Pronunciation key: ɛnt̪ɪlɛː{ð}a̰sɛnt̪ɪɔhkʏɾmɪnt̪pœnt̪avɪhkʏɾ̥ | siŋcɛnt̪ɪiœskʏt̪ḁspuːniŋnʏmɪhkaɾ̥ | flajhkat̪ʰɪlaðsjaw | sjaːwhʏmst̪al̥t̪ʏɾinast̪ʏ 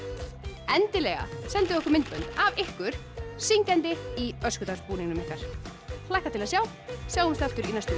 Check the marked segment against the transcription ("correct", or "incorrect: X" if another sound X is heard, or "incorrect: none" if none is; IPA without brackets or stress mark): incorrect: ɣ